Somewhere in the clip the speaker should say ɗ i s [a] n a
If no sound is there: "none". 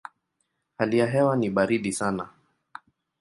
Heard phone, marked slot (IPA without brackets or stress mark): a